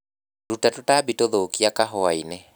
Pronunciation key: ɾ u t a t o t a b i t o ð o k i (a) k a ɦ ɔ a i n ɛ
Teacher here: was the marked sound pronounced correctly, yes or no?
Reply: yes